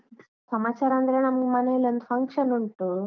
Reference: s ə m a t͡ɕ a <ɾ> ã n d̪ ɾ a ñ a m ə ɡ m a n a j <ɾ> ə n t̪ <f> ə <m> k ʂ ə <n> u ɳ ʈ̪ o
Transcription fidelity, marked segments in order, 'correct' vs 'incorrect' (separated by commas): correct, incorrect, correct, incorrect, correct